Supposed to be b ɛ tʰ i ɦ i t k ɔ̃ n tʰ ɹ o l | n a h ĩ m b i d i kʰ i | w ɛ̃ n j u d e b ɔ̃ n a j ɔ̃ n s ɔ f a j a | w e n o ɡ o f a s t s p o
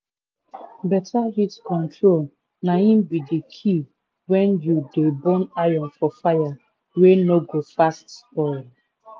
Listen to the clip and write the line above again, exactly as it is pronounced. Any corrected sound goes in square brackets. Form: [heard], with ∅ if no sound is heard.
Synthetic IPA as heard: b ɛ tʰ [a] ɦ i t k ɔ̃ n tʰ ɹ o l | n a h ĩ m b i d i kʰ i | w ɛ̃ n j u d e b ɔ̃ n a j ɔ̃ n [f] ɔ f a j a | w e n o ɡ o f a s t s p [ɔ]